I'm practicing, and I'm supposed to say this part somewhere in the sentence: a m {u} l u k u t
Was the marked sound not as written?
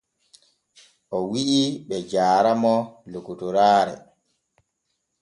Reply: yes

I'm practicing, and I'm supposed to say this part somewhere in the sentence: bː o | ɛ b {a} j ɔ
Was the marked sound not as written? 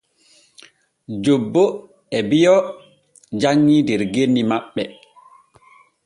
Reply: yes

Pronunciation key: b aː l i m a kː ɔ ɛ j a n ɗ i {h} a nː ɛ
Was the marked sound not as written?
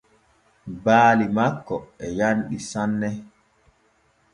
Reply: yes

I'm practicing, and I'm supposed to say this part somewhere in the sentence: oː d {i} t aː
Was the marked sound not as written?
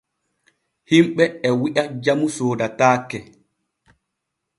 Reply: yes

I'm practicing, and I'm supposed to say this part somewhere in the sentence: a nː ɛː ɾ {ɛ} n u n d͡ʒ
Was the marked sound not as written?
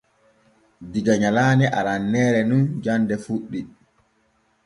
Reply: no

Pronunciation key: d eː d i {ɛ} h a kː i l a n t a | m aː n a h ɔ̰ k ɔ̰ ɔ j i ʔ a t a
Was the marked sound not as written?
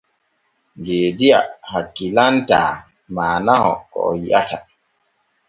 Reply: yes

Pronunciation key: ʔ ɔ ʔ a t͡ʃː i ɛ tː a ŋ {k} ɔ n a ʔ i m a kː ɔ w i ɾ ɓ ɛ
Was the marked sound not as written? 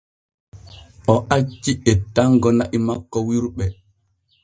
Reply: yes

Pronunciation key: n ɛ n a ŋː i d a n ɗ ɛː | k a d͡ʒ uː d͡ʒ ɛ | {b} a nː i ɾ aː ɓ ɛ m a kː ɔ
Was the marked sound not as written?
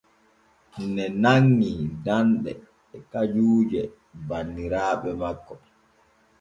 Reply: no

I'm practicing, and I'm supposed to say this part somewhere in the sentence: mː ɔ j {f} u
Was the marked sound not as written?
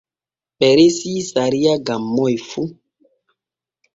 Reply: no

